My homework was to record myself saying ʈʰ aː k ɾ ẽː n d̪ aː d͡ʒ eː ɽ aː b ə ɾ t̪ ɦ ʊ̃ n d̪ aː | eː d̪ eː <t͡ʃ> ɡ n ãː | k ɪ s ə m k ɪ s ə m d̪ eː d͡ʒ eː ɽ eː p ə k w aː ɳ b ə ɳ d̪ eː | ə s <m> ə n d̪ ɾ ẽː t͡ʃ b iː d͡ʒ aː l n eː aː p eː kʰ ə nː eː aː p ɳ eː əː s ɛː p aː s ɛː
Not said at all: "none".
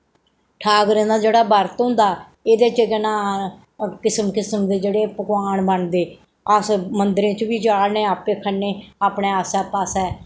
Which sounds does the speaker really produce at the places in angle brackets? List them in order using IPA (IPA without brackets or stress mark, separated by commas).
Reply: t͡ʃ, m